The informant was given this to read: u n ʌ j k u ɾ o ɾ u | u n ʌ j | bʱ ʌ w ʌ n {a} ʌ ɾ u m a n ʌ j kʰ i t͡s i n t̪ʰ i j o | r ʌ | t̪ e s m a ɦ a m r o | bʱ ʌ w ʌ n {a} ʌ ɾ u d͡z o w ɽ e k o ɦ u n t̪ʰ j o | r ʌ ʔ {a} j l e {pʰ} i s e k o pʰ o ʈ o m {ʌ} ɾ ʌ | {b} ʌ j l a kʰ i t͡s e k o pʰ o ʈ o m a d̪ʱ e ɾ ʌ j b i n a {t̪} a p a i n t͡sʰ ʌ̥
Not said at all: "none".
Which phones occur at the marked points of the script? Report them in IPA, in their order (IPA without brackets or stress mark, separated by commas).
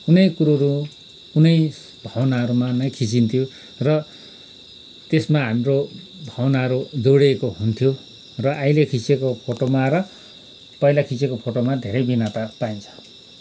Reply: a, a, a, kʰ, a, p, t̪